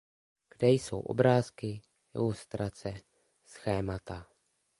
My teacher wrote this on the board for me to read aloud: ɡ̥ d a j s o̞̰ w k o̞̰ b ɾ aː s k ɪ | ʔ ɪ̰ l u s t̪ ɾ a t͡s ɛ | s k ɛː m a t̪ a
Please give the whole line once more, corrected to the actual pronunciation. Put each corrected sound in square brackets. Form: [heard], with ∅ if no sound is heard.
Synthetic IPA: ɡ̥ d [ɛ] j s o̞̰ w [ʔ] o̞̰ b ɾ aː s k ɪ | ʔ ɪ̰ l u s t̪ ɾ a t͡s ɛ | s [x] ɛː m a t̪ a